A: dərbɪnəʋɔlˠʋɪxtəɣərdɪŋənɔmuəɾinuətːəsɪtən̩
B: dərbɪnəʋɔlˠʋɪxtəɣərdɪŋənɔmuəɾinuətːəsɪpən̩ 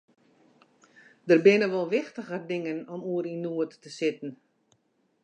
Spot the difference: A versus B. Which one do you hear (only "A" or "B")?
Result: A